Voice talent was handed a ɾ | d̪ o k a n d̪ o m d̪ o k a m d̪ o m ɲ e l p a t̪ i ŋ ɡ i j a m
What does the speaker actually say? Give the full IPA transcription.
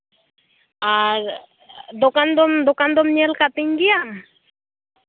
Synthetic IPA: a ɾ | d̪ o k a n d̪ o m d̪ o k a n d̪ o m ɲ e l k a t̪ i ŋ ɡ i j a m